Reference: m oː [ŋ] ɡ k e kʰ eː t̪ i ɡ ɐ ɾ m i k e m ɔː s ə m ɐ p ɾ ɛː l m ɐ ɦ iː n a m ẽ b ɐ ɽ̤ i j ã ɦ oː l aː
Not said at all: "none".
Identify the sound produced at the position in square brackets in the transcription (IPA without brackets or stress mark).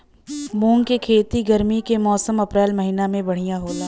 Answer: ŋ